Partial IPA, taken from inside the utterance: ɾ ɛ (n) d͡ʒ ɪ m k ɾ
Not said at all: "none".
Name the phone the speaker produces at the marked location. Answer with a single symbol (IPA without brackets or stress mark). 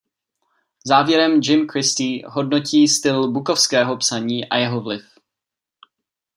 m